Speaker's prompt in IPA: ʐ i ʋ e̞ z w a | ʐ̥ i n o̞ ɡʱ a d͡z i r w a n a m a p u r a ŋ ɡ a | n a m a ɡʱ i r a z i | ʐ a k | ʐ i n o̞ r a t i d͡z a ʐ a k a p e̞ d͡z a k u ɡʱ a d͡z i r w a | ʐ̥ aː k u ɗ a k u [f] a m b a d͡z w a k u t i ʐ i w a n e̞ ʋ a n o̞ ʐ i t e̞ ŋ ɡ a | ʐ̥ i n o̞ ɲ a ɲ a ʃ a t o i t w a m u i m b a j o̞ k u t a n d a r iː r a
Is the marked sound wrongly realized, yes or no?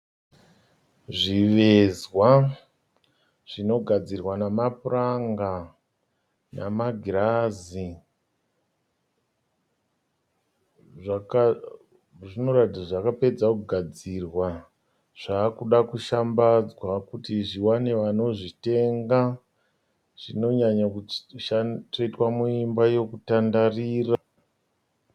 yes